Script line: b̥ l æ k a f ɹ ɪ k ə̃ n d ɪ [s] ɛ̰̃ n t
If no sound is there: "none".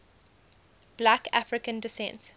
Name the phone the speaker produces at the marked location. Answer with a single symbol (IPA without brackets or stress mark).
s